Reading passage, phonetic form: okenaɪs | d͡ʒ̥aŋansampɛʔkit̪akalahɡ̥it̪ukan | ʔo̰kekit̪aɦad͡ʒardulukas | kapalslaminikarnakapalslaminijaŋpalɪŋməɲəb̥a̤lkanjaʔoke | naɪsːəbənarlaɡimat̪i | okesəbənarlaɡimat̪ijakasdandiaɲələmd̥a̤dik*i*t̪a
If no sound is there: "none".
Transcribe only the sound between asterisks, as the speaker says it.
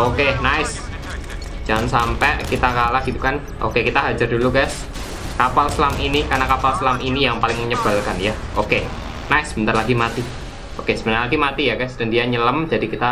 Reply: i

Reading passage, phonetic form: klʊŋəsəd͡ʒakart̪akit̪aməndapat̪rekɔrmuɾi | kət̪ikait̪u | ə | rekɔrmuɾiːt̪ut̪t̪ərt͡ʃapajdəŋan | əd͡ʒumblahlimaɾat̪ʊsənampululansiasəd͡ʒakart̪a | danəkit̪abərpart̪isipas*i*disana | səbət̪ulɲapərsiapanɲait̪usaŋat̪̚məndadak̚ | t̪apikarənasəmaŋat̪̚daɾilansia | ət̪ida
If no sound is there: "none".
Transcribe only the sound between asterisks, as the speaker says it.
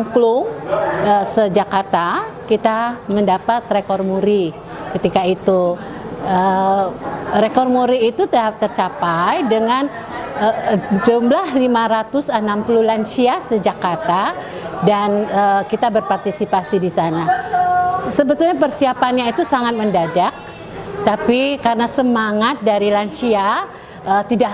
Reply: i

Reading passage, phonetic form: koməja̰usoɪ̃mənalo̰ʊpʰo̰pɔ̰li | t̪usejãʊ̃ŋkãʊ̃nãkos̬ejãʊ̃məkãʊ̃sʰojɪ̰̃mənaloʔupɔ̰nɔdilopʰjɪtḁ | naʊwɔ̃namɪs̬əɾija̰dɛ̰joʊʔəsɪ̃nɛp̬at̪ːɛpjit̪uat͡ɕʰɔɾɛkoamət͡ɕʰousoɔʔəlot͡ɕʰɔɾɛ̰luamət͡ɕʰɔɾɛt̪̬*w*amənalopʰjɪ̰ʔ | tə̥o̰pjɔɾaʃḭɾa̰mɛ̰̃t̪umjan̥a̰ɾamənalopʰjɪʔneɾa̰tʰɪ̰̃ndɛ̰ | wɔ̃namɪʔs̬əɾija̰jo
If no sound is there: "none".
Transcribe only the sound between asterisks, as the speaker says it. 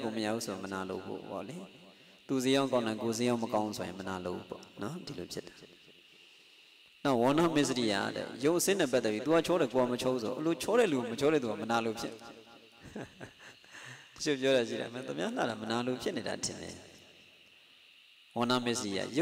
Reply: u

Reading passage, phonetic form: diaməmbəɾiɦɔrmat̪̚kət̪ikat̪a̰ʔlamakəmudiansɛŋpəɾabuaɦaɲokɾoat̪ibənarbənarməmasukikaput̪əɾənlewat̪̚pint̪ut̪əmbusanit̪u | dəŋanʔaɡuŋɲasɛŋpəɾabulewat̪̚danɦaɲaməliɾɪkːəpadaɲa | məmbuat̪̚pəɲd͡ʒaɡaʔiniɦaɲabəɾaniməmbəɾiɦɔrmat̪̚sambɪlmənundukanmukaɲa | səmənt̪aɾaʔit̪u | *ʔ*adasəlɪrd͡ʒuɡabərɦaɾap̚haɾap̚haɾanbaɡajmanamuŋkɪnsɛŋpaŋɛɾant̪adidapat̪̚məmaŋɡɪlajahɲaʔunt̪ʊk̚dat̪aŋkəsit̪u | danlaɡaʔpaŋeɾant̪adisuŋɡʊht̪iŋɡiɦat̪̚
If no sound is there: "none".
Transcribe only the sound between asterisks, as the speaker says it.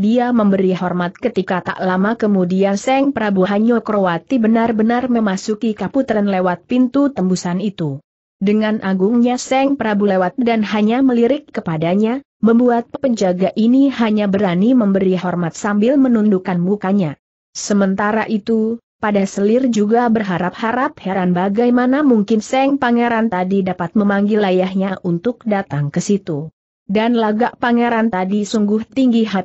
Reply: p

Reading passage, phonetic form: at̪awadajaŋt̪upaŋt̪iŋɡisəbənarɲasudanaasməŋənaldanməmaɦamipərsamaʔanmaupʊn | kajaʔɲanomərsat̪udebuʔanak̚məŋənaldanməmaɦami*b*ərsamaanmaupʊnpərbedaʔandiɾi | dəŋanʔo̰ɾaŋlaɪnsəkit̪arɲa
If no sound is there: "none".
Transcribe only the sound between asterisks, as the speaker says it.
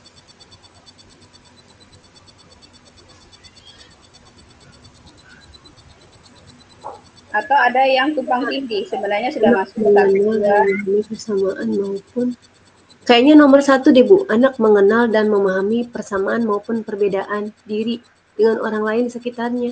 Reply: p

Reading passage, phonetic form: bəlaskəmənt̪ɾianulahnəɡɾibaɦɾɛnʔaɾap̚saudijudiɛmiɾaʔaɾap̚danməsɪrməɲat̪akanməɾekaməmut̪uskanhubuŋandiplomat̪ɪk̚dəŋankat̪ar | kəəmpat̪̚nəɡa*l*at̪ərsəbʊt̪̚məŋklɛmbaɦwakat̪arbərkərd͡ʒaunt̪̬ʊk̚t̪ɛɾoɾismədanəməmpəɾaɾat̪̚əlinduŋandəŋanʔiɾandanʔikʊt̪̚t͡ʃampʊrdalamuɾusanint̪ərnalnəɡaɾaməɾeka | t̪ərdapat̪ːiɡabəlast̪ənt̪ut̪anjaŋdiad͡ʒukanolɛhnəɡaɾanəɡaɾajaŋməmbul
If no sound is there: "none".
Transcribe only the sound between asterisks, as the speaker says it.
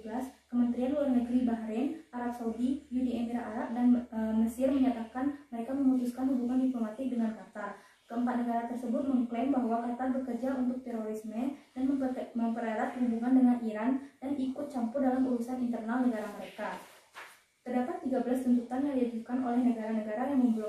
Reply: ɾ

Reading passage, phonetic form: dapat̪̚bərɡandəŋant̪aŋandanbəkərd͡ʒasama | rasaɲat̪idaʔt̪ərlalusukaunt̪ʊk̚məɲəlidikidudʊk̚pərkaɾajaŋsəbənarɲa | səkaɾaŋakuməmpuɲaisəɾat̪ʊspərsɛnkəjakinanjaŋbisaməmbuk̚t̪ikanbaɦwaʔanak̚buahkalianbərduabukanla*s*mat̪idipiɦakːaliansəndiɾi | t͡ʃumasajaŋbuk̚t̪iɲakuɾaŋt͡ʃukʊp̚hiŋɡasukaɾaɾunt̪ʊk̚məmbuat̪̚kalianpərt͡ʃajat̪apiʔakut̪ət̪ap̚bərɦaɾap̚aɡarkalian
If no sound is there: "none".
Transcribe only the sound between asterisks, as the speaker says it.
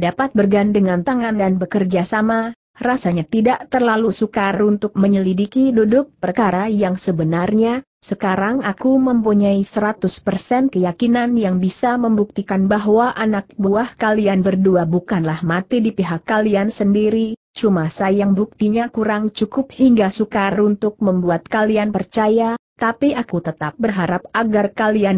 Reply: h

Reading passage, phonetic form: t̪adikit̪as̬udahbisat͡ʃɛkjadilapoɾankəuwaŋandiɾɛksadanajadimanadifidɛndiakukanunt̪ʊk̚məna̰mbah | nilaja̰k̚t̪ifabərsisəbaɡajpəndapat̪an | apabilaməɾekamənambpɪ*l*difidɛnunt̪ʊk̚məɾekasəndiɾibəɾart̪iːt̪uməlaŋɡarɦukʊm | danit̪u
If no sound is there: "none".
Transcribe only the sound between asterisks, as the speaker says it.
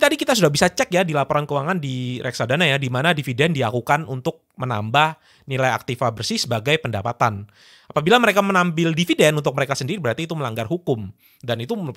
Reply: l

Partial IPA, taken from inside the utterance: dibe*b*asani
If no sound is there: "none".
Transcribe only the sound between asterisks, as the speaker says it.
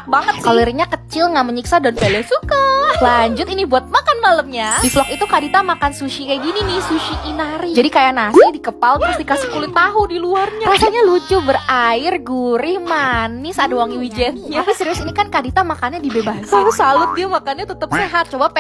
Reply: b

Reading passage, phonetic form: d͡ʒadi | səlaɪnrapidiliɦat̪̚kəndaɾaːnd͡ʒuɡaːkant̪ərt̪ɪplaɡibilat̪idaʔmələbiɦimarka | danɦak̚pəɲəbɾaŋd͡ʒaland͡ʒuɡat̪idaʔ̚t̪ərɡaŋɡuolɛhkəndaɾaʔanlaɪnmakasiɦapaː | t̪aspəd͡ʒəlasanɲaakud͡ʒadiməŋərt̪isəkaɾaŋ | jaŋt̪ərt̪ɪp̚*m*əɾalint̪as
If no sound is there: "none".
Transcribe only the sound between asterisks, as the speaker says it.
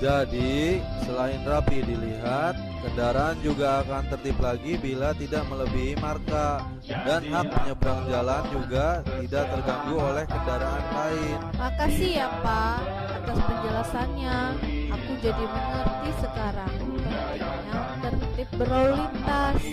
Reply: b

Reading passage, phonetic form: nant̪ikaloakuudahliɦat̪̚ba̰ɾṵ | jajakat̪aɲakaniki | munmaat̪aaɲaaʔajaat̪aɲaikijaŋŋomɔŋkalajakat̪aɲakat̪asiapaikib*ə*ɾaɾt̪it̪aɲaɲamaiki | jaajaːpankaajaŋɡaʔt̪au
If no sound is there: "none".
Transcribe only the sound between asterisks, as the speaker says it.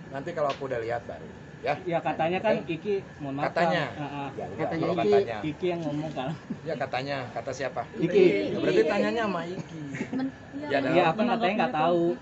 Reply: ə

